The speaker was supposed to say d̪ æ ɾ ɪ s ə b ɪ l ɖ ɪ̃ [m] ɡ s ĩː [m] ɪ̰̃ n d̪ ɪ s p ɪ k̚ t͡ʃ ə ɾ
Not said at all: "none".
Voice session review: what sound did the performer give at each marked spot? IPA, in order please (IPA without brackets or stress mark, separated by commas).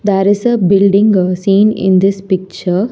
ŋ, n